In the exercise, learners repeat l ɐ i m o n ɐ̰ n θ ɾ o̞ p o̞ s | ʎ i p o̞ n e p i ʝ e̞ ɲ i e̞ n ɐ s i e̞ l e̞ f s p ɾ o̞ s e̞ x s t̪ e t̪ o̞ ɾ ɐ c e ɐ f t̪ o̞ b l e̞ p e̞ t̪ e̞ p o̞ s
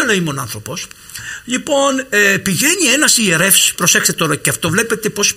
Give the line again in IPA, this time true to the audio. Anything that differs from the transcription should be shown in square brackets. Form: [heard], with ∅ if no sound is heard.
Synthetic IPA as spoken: l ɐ i m o n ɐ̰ n θ ɾ o̞ p o̞ s | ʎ i p o̞ n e p i ʝ e̞ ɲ i e̞ n ɐ s i e̞ [ɾ] e̞ f s p ɾ o̞ s e̞ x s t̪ e t̪ o̞ ɾ ɐ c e ɐ f t̪ o̞ [v] l e̞ p e̞ t̪ e̞ p o̞ s